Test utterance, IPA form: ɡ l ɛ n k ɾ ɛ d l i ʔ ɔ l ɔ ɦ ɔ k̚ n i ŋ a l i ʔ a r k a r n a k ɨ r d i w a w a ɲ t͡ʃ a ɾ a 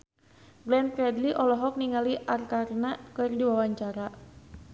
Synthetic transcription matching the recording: ɡ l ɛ n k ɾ ɛ d l i ʔ ɔ l ɔ ɦ ɔ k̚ n i ŋ a l i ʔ a r k a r n a k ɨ r d i w a w a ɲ t͡ʃ a ɾ a